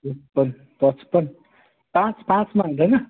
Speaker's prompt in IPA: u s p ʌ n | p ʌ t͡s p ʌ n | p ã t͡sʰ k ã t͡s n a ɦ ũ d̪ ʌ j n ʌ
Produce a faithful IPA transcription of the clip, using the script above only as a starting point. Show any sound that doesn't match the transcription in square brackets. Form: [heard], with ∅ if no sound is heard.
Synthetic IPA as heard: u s p ʌ n | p ʌ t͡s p ʌ n | p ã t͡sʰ [p] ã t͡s [m] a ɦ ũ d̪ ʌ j n ʌ